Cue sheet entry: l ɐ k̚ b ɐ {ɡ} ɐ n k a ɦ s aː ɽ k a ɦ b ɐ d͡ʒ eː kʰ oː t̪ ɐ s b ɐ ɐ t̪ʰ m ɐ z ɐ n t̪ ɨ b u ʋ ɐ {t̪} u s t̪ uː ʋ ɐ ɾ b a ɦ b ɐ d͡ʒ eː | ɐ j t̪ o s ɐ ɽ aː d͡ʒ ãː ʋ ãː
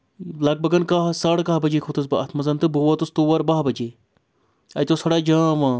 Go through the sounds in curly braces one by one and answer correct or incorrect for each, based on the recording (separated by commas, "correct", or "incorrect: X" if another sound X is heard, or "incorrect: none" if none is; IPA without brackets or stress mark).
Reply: correct, correct